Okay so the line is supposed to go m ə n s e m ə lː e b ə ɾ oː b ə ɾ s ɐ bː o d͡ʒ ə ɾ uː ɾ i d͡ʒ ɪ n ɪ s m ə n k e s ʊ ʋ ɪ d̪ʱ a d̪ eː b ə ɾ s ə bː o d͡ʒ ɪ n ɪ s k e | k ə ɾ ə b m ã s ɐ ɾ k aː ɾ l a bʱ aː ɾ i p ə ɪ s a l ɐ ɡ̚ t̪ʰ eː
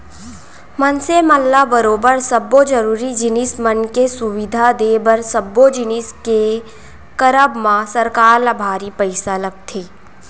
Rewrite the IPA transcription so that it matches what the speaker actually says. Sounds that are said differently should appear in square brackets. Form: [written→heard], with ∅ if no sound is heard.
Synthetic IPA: m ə n s e m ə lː [e→a] b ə ɾ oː b ə ɾ s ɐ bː o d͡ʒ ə ɾ uː ɾ i d͡ʒ ɪ n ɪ s m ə n k e s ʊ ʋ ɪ d̪ʱ a d̪ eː b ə ɾ s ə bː o d͡ʒ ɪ n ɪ s k e | k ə ɾ ə b m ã s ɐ ɾ k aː ɾ l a bʱ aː ɾ i p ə ɪ s a l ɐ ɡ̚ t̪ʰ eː